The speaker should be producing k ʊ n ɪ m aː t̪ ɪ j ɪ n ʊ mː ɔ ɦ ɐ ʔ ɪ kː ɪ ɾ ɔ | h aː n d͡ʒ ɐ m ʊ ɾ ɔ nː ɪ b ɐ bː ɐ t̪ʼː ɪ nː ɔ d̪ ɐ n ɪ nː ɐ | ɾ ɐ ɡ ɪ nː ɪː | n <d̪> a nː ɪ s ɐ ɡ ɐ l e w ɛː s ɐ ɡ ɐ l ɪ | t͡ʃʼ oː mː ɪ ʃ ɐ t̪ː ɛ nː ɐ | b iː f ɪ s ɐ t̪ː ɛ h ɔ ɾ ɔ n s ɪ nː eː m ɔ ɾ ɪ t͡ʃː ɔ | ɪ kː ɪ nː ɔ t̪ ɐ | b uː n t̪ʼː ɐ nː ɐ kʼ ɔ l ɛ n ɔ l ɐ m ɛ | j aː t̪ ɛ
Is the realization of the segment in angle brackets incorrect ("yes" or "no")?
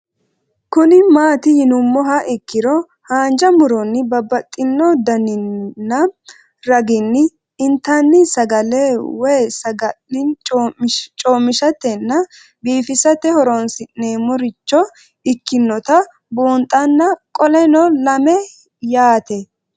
yes